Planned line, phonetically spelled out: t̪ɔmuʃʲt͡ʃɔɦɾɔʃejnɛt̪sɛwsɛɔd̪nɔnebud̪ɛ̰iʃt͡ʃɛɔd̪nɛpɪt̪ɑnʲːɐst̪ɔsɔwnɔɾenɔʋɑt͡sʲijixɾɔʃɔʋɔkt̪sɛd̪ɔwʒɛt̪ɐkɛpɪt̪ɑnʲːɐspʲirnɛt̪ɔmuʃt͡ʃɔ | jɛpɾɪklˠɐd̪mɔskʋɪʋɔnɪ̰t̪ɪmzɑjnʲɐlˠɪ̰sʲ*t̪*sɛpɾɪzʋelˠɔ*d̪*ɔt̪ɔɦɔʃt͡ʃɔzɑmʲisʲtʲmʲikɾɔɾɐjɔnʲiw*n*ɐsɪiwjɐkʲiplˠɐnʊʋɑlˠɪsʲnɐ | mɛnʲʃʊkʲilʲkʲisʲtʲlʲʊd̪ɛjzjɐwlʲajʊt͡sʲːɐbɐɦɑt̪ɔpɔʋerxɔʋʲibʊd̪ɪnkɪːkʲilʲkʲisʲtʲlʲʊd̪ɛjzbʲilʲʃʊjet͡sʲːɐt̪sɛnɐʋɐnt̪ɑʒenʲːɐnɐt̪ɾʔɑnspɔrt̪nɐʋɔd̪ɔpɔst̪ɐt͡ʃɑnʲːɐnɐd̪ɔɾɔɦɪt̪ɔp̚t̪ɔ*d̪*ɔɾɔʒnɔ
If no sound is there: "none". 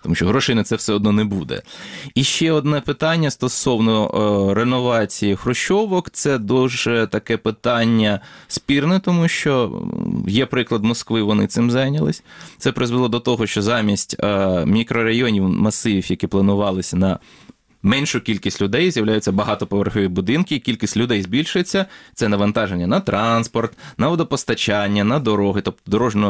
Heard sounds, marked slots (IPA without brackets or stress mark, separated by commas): t̪, d̪, m, d̪